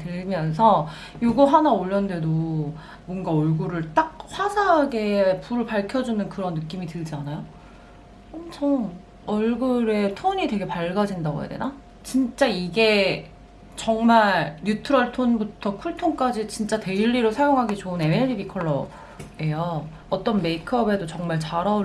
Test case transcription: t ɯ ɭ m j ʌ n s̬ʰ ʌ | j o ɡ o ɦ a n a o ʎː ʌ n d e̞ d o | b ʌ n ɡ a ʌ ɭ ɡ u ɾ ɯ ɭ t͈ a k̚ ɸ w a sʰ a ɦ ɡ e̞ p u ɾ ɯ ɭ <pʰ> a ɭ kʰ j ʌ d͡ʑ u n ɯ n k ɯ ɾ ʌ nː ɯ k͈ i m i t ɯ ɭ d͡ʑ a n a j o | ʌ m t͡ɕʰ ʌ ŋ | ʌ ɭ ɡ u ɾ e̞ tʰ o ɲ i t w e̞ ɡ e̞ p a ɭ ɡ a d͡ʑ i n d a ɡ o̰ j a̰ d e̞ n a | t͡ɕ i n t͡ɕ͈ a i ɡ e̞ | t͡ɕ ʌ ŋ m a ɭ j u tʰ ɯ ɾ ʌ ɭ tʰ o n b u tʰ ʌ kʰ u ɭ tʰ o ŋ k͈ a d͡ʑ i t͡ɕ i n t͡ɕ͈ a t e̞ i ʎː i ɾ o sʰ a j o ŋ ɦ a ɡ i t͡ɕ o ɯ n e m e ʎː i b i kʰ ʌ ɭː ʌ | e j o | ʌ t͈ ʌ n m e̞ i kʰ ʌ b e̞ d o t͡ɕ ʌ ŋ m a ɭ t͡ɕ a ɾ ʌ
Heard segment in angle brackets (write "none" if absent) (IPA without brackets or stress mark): p